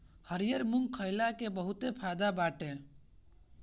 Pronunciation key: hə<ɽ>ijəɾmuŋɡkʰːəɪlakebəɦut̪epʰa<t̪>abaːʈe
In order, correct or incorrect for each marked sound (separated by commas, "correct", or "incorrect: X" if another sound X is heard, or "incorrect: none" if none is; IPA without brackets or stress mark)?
incorrect: ɾ, incorrect: d̪